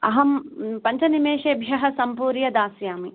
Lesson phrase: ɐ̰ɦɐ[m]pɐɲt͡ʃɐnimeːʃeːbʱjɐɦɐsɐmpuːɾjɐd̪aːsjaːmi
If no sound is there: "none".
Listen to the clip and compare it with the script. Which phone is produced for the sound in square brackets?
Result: m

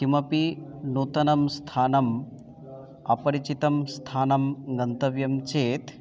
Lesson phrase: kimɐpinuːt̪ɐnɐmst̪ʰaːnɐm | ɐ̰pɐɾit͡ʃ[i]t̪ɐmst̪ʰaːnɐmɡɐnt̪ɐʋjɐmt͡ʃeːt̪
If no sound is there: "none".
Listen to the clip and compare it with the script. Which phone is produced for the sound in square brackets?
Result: i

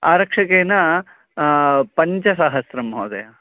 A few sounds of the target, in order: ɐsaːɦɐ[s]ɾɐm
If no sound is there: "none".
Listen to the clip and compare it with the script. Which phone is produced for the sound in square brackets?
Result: s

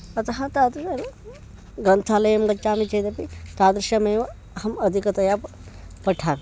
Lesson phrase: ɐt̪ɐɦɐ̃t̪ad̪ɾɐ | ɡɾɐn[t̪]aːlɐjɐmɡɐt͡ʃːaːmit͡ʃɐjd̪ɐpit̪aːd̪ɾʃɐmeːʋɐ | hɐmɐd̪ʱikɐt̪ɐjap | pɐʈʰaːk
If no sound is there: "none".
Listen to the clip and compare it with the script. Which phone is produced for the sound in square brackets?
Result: t̪ʰ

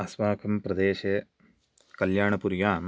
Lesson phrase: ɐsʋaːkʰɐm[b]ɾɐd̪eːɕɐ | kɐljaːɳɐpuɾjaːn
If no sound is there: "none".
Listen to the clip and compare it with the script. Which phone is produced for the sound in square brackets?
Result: p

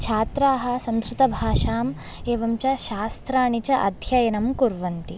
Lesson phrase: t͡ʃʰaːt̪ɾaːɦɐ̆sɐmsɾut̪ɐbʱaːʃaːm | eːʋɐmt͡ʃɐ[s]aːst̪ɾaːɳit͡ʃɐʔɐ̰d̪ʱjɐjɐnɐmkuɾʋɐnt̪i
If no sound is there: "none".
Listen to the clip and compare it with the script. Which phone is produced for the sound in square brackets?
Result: ʃ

